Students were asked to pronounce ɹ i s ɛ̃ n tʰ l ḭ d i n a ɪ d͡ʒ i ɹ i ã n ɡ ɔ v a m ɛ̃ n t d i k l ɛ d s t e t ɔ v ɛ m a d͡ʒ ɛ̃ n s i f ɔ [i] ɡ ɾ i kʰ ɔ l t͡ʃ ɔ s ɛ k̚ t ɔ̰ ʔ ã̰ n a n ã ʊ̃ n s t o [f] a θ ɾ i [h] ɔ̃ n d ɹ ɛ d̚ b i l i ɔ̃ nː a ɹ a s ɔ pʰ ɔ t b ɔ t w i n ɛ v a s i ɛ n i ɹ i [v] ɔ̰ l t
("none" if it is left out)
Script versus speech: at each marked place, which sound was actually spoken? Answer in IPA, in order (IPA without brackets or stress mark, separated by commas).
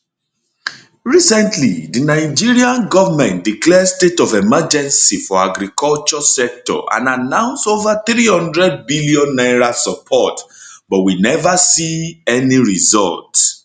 a, v, h, z